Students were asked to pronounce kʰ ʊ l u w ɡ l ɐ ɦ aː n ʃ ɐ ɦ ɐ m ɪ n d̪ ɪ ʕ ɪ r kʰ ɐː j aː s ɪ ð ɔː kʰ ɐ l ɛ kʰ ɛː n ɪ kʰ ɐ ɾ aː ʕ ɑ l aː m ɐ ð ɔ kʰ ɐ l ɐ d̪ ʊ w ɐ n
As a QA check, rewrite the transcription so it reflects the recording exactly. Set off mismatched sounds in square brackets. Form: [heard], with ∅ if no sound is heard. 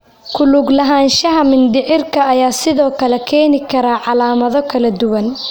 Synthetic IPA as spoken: kʰ ʊ l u [∅] ɡ l ɐ ɦ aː n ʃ ɐ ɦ ɐ m ɪ n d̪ ɪ ʕ ɪ r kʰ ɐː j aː s ɪ ð ɔː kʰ ɐ l ɛ kʰ ɛː n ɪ kʰ ɐ ɾ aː ʕ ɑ l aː m ɐ ð ɔ kʰ ɐ l ɐ d̪ ʊ w ɐ n